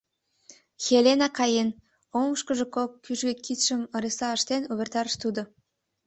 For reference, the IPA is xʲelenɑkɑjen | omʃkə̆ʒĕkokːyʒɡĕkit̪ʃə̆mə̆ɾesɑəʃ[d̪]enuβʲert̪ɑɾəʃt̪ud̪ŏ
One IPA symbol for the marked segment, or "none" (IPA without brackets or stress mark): t̪